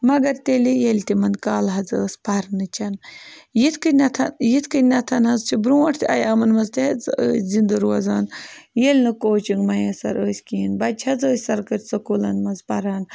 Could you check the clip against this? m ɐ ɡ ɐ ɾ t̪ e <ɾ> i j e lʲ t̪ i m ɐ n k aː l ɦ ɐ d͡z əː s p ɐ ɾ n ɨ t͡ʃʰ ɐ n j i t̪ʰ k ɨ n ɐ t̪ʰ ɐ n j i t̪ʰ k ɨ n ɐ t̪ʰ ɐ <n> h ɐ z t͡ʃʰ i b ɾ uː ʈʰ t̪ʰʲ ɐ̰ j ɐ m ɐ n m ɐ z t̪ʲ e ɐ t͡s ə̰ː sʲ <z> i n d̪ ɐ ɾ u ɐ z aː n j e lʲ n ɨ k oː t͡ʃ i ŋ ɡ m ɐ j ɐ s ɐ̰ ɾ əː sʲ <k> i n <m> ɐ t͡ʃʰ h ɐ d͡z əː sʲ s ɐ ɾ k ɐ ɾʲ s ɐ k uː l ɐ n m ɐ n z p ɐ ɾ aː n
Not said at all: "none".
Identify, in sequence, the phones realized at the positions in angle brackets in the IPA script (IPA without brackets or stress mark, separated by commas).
l, n, z, k, b